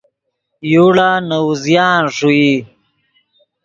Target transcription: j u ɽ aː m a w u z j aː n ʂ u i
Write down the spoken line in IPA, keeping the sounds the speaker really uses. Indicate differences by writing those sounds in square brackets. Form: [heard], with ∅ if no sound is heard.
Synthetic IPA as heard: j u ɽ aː [n] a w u z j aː n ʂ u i